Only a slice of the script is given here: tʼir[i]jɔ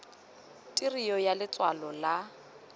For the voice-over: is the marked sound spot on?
yes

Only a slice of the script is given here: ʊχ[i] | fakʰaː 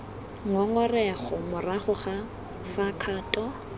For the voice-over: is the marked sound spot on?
no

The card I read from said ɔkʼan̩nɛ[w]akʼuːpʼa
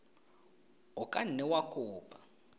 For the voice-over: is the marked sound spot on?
yes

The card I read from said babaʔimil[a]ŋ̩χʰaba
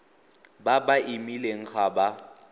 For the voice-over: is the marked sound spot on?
no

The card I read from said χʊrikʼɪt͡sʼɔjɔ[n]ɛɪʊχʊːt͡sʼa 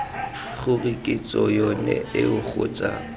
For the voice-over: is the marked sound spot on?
yes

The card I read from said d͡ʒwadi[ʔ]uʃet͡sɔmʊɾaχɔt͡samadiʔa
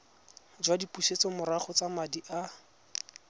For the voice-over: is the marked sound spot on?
no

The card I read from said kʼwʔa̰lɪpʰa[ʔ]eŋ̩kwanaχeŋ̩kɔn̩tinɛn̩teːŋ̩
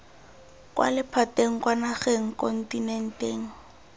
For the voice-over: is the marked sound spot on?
no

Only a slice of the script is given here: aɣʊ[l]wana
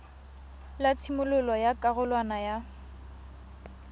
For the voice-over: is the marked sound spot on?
yes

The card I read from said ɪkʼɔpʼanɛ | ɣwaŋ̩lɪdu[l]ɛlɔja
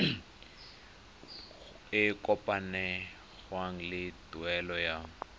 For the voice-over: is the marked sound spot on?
no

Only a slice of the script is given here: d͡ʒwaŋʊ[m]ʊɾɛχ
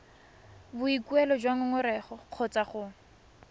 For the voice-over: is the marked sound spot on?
no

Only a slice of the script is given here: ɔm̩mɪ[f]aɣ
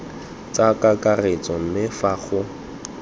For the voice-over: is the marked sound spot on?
yes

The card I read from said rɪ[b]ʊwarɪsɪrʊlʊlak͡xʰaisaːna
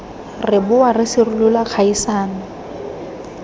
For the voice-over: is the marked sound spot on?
yes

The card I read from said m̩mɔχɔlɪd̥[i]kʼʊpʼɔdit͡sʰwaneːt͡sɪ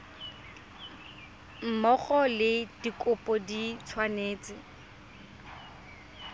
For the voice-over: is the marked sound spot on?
yes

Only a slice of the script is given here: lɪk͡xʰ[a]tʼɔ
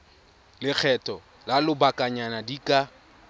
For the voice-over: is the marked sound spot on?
no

